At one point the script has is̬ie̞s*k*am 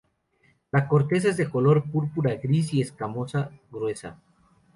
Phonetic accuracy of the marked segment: correct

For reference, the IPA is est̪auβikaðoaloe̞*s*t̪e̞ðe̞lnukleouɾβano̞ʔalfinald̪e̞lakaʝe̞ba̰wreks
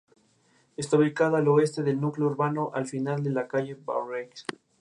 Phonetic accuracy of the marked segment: correct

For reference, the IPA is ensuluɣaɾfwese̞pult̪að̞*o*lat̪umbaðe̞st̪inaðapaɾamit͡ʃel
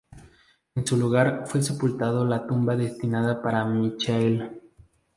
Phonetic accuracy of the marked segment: correct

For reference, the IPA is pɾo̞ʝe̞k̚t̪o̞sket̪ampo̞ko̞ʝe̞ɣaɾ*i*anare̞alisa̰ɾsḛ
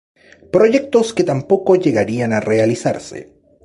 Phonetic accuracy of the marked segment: correct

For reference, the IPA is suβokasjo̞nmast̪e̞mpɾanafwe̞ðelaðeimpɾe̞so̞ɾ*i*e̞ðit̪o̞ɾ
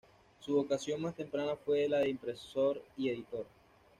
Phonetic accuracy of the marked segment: correct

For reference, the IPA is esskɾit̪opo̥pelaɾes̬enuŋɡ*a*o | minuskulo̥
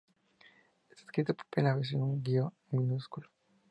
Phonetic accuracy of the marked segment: incorrect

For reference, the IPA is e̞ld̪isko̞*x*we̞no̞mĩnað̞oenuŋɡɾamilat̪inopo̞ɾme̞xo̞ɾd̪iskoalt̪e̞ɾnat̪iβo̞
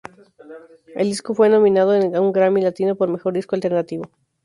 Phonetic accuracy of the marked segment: incorrect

